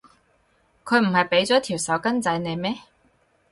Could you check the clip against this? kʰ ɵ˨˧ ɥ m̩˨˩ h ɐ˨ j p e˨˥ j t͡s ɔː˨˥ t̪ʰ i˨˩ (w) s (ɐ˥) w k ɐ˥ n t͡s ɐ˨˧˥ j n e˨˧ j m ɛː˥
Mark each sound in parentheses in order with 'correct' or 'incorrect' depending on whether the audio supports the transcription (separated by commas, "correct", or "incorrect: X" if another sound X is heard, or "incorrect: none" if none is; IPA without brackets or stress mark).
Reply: correct, incorrect: ɐ˨˥